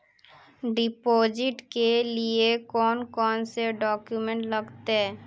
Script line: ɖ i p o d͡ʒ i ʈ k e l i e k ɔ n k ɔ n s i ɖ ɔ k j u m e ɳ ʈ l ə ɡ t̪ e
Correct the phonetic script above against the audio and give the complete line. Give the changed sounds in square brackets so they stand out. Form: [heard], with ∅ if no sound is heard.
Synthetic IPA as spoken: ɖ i p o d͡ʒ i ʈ k e l i e k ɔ n k ɔ n s [e] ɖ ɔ k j u m e ɳ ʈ l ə ɡ t̪ e